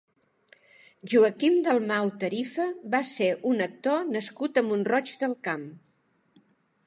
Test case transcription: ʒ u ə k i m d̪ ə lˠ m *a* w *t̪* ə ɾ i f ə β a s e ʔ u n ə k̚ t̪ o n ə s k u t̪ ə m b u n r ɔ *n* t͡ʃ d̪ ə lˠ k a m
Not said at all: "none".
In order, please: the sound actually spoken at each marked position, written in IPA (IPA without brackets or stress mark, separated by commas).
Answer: a, t̪, none